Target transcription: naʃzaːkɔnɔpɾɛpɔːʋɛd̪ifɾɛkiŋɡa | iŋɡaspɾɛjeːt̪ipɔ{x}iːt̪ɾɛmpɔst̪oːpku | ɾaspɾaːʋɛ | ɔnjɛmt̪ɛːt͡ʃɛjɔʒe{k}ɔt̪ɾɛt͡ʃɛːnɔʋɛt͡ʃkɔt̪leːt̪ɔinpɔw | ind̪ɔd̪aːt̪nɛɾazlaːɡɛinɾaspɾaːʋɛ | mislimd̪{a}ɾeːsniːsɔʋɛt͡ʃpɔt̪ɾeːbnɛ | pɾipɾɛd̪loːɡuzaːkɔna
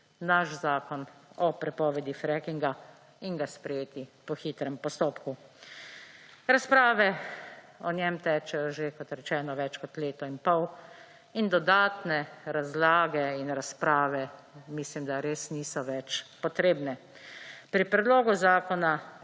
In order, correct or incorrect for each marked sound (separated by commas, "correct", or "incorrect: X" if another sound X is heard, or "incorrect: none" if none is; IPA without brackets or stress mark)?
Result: correct, correct, correct